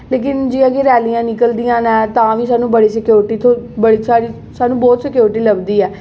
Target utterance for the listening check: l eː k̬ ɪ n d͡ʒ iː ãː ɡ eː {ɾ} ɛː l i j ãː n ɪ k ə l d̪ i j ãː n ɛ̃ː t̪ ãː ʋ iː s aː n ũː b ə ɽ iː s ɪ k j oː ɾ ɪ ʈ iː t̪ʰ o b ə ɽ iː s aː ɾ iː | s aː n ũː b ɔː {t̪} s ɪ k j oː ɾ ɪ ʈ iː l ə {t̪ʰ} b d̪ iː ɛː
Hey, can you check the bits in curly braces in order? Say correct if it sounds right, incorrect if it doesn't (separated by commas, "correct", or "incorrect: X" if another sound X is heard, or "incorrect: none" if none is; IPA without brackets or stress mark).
correct, correct, incorrect: none